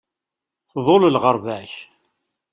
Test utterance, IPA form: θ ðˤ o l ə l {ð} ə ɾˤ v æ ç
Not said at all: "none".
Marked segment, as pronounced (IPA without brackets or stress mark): ʁ